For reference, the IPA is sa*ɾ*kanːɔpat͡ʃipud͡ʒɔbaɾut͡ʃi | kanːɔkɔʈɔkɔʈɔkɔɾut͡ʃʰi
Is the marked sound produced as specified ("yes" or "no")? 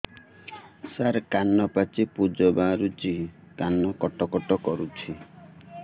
yes